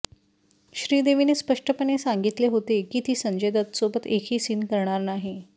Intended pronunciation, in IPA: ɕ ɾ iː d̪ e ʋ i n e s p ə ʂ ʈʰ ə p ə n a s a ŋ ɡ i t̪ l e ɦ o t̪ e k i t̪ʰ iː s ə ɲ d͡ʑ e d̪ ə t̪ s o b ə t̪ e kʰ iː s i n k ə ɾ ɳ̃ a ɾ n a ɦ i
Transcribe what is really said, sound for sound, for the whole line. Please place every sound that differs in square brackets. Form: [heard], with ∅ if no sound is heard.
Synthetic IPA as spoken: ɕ ɾ iː d̪ e ʋ i n e s p ə ʂ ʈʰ ə p ə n [e] s a ŋ ɡ i t̪ l e ɦ o t̪ e k i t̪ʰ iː s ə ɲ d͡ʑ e d̪ ə t̪ s o b ə t̪ e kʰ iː s i n k ə ɾ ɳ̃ a ɾ n a ɦ i